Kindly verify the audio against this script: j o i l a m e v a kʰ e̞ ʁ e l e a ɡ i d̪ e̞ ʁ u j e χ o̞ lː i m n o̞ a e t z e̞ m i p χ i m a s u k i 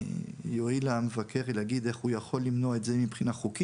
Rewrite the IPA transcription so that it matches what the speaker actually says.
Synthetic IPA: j o i l a m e v a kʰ e̞ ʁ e l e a ɡ i d̪ e̞ χ u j a χ o̞ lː i m n o̞ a e t z e̞ m i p χ i n a χ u k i